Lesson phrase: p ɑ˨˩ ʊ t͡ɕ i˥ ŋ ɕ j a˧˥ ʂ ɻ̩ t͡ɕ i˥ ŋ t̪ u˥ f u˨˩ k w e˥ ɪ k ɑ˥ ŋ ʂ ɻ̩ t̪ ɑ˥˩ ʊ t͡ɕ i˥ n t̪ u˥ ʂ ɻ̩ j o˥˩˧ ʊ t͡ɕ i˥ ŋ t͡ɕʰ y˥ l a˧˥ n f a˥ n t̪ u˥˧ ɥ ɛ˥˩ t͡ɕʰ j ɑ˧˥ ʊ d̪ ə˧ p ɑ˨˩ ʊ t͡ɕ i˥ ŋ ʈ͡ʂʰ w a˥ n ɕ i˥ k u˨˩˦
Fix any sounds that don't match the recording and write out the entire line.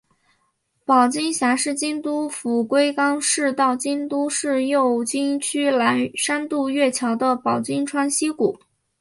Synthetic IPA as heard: p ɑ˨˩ ʊ t͡ɕ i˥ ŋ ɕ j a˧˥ ʂ ɻ̩ t͡ɕ i˥ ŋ t̪ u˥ f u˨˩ k w e˥ ɪ k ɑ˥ ŋ ʂ ɻ̩ t̪ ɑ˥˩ ʊ t͡ɕ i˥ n t̪ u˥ ʂ ɻ̩ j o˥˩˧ ʊ t͡ɕ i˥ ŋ t͡ɕʰ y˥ l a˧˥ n ʂ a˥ n t̪ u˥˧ ɥ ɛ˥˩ t͡ɕʰ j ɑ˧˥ ʊ d̪ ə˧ p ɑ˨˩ ʊ t͡ɕ i˥ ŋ ʈ͡ʂʰ w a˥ n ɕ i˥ k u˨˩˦